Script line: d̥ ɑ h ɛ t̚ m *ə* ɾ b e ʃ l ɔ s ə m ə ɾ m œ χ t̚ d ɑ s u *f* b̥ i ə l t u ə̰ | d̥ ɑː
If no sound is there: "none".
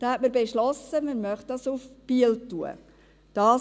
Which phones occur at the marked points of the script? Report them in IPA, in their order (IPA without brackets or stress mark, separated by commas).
ə, f